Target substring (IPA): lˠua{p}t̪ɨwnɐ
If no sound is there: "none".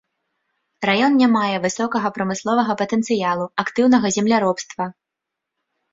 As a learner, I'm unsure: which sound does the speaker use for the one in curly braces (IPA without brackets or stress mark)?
k